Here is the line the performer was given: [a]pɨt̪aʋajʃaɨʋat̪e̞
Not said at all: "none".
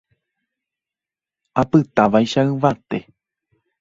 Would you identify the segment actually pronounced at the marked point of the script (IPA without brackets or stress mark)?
a